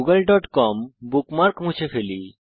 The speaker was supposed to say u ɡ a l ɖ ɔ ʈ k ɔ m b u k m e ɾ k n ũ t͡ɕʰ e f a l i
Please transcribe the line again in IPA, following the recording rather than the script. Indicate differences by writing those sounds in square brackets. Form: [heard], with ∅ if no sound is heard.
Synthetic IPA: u ɡ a l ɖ ɔ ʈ k ɔ m b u k m [a] ɾ k [m] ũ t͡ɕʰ e f [e] l i